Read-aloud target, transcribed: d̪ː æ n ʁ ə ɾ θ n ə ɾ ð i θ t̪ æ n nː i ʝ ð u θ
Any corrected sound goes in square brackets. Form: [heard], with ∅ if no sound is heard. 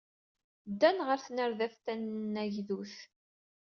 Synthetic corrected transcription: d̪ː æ n ʁ ə ɾ θ n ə ɾ ð [æ] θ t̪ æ n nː [æ] ʝ ð u θ